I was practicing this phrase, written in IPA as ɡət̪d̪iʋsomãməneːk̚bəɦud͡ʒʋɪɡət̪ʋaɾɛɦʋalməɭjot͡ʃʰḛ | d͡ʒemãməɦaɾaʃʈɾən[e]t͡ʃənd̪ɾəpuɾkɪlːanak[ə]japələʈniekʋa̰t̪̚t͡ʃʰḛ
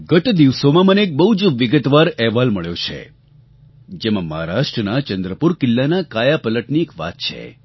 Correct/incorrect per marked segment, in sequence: incorrect: a, incorrect: a

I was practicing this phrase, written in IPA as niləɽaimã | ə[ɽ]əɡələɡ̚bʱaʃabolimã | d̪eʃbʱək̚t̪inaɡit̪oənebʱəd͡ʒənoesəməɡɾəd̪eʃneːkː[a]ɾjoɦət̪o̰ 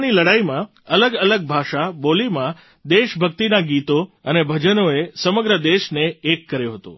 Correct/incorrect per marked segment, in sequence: incorrect: l, incorrect: ə

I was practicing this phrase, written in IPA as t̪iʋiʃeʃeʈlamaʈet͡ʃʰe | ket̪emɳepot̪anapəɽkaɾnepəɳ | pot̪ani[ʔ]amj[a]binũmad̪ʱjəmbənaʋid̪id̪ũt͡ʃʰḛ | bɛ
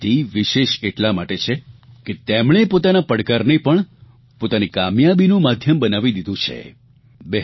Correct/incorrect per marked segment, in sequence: incorrect: k, correct

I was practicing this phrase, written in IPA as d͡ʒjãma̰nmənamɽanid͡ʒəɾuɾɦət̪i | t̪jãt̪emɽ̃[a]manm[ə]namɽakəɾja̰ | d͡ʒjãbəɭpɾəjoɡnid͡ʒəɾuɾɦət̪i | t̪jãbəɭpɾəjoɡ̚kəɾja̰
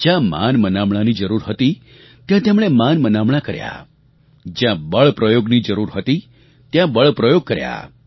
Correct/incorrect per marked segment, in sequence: incorrect: e, correct

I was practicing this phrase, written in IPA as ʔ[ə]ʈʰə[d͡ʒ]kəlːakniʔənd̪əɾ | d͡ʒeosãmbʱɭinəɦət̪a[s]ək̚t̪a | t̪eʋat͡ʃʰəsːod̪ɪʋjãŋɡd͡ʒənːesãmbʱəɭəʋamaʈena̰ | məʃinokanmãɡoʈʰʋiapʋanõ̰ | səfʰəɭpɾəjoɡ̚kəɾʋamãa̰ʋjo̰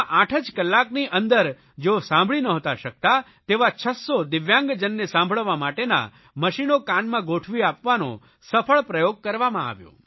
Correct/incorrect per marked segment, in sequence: incorrect: a, correct, incorrect: ʃ

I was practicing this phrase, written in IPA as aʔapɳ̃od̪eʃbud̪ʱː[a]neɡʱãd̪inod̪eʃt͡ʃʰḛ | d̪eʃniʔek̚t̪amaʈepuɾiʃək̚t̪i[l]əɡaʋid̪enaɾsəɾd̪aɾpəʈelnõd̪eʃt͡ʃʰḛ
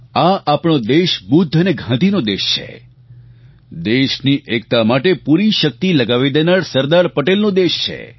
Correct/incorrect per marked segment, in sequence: incorrect: ə, correct

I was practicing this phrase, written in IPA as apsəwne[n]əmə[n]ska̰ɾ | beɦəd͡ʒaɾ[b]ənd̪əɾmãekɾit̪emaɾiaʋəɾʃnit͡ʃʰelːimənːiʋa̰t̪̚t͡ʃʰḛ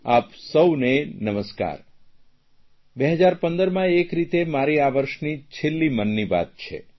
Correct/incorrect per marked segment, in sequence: correct, incorrect: none, incorrect: p

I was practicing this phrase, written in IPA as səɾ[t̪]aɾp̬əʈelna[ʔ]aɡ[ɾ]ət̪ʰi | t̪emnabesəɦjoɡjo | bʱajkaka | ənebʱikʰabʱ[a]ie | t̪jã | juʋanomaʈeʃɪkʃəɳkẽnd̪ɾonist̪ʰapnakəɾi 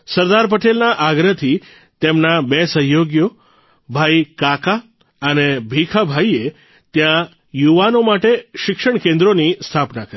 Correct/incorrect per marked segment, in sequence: incorrect: d̪, correct, correct, correct

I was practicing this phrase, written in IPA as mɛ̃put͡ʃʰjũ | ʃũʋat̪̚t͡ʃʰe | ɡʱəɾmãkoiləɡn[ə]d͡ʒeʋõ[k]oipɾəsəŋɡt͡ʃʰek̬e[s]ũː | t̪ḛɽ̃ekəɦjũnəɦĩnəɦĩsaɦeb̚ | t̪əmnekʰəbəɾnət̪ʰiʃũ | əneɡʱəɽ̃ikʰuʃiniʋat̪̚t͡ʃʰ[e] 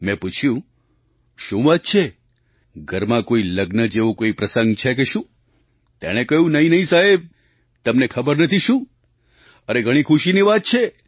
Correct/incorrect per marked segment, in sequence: correct, correct, incorrect: ʃ, correct

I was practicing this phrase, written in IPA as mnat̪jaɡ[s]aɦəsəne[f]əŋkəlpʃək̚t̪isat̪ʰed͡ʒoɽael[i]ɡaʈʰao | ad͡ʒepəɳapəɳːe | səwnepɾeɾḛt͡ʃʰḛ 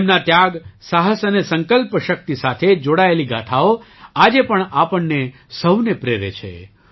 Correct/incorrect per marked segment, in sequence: correct, incorrect: s, correct

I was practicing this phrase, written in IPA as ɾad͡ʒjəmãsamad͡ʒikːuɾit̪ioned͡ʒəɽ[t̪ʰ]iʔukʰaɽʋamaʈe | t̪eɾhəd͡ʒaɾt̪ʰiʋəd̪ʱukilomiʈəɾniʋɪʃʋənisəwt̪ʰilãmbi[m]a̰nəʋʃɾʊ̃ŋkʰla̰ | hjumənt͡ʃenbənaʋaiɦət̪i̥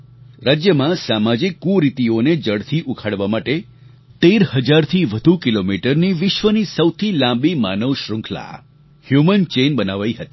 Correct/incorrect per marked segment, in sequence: correct, correct

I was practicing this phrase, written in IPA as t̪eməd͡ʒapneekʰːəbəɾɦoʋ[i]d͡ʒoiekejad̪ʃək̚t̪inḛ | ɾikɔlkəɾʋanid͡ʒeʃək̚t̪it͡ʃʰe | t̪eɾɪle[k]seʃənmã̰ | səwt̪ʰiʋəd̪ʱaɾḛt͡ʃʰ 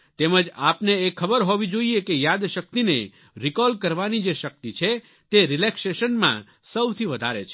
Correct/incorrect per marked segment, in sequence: correct, correct

